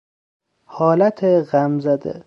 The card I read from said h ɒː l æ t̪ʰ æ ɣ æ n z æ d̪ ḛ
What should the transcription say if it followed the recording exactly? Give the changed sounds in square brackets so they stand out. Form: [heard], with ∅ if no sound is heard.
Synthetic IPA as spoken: h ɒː l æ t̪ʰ [e] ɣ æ [m] z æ d̪ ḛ